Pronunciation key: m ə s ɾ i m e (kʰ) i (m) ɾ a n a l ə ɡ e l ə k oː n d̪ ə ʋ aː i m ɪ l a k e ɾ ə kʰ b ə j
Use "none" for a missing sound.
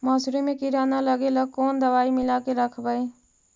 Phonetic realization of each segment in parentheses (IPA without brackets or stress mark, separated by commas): k, none